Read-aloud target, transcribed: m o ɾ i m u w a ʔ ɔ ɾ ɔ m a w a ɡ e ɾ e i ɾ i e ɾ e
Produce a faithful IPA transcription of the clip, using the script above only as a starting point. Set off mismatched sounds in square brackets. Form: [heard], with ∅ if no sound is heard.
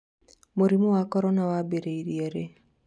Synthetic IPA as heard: m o ɾ i m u w a [k] ɔ ɾ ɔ [n] a w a [b] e ɾ e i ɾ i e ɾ e